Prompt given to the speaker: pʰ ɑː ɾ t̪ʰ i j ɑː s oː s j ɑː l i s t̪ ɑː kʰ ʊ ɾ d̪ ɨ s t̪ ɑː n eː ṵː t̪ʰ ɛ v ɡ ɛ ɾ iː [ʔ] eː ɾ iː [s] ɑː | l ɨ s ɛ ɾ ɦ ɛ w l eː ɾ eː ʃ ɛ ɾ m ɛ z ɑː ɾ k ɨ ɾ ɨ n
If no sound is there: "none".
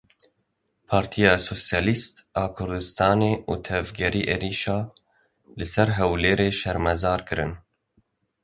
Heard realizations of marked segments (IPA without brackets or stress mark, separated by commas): ʔ, ʃ